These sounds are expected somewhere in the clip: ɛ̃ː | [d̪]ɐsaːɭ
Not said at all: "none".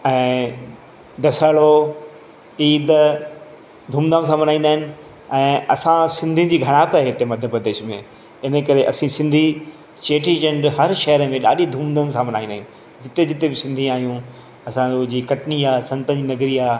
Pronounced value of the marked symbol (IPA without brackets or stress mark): d̪